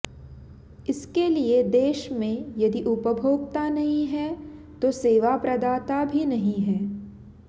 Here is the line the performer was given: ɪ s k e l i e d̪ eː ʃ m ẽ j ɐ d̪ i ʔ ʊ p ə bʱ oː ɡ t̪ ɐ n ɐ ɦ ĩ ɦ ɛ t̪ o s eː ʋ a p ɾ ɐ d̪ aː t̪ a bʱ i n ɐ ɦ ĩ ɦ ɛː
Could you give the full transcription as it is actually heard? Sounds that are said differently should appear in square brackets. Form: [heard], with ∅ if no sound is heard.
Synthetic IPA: ɪ s k e l i e d̪ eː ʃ m ẽ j ɐ d̪ i ʔ ʊ p ə bʱ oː ɡ t̪ [a] n ɐ ɦ ĩ ɦ ɛ t̪ o s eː ʋ a p ɾ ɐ d̪ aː t̪ a bʱ i n ɐ ɦ ĩ ɦ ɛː